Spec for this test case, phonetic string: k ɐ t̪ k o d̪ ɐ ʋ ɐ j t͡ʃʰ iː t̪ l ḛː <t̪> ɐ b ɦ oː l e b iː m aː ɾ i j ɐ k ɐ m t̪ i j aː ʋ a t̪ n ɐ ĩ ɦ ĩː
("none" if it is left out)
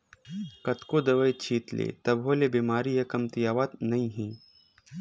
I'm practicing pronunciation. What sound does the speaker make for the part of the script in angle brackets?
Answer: t̪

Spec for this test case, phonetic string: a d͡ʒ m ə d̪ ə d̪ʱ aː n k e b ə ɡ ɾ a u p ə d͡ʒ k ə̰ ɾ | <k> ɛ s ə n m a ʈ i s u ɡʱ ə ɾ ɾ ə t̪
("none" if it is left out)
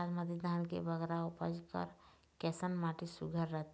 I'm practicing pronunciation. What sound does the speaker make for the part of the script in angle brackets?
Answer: k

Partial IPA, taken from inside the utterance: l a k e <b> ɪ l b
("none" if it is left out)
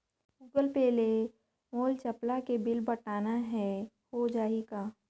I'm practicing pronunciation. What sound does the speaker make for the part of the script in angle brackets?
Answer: b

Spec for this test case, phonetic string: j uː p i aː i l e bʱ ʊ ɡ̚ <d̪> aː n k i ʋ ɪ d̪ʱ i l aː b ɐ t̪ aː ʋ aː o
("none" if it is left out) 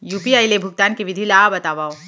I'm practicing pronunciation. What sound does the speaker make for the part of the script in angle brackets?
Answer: t̪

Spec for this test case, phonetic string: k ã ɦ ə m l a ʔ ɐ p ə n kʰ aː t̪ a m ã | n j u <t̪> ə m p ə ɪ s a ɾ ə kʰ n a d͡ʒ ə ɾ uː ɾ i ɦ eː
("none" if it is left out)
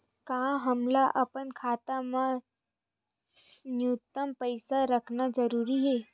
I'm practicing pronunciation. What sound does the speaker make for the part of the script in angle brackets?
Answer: t̪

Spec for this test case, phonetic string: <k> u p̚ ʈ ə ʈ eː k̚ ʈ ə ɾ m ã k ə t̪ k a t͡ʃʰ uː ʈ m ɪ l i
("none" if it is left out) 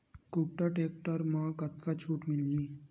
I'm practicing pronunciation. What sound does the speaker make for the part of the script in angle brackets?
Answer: k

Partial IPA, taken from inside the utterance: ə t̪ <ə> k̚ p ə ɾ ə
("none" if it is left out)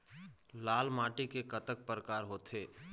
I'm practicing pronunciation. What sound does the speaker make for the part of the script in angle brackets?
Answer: ə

